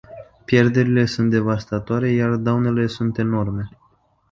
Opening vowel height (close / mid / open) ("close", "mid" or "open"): mid